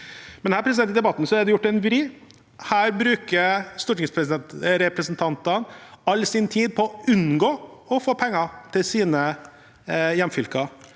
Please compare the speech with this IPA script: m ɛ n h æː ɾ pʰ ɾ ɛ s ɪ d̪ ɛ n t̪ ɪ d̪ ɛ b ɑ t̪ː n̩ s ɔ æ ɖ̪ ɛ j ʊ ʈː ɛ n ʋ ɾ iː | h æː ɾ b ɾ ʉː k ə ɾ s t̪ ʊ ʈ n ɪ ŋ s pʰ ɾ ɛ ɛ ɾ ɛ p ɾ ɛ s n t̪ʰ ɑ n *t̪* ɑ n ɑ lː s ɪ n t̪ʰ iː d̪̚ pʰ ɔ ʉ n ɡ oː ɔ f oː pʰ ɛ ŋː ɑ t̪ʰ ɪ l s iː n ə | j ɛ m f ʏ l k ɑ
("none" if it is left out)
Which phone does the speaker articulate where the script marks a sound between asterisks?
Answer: t̪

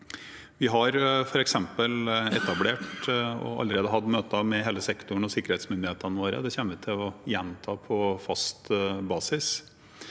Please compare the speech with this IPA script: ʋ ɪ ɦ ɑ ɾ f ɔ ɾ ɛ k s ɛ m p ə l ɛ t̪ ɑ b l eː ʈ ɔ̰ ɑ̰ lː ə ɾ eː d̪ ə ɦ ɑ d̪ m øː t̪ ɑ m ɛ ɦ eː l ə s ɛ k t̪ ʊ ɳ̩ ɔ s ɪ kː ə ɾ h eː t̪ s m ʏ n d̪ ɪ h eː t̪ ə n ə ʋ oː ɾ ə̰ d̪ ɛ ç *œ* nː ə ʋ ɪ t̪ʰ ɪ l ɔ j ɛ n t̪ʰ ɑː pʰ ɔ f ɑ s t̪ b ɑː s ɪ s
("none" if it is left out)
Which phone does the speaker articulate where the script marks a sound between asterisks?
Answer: ɛ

